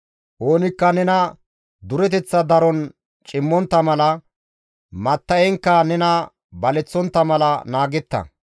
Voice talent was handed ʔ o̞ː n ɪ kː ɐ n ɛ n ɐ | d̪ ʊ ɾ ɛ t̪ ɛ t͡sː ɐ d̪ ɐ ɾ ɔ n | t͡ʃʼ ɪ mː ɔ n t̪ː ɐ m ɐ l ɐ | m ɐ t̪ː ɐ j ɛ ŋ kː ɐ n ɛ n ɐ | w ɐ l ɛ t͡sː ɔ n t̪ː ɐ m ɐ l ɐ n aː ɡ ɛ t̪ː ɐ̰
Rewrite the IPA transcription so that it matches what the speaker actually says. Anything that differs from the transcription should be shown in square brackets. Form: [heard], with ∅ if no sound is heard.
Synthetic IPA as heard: ʔ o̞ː n ɪ kː ɐ n ɛ n ɐ | d̪ ʊ ɾ ɛ t̪ ɛ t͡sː ɐ d̪ ɐ ɾ ɔ n | t͡ʃʼ ɪ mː ɔ n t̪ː ɐ m ɐ l ɐ | m ɐ t̪ː ɐ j ɛ ŋ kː ɐ n ɛ n ɐ | [b] ɐ l ɛ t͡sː ɔ n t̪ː ɐ m ɐ l ɐ n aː ɡ ɛ t̪ː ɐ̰